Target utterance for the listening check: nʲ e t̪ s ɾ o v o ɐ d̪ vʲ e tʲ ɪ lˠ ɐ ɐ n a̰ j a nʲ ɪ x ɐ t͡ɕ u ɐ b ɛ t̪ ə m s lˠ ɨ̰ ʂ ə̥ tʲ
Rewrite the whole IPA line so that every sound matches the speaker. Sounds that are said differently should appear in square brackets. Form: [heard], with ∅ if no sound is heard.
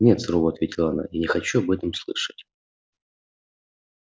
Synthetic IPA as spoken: nʲ e t̪ s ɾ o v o ɐ [t̪] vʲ e tʲ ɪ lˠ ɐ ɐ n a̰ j a nʲ ɪ x ɐ t͡ɕ u ɐ b ɛ t̪ ə m s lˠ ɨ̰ ʂ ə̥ tʲ